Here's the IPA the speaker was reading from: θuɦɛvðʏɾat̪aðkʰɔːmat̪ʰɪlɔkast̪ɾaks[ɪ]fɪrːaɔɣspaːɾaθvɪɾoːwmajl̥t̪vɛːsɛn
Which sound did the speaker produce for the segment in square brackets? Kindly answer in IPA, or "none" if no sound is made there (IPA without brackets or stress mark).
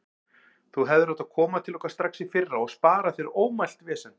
i